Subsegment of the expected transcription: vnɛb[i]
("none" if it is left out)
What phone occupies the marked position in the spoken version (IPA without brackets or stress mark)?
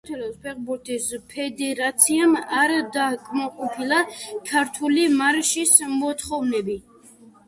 i